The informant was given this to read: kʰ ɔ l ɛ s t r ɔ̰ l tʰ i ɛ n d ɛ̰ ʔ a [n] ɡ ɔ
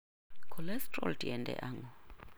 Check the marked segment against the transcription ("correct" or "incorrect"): incorrect